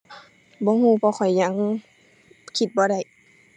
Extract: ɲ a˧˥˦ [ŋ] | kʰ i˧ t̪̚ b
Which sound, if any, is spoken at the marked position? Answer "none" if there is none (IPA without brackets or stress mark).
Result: ŋ